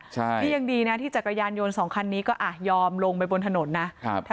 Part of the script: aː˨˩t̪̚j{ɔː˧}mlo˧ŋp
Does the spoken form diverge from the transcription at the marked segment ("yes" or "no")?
no